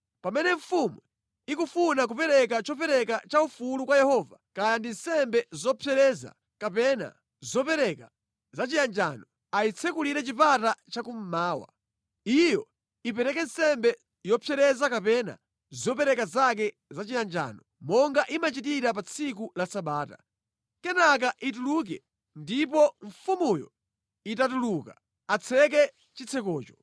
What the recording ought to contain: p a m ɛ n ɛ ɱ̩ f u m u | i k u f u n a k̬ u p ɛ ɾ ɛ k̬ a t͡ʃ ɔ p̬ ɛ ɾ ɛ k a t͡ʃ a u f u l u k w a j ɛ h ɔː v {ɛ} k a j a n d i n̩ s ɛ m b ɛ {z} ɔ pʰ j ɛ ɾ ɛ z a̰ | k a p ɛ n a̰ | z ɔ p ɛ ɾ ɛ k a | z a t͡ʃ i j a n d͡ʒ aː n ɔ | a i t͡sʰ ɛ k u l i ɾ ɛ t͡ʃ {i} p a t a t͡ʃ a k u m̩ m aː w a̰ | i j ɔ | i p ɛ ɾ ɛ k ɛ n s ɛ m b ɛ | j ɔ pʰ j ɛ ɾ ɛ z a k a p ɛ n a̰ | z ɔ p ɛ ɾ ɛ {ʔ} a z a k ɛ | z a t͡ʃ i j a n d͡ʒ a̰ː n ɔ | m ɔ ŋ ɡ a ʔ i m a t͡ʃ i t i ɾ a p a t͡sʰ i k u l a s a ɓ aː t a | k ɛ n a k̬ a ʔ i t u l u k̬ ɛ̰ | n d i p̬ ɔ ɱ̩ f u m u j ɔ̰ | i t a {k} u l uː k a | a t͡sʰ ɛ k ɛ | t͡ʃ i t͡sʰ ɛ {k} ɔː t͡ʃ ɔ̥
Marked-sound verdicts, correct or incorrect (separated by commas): incorrect, correct, correct, incorrect, incorrect, correct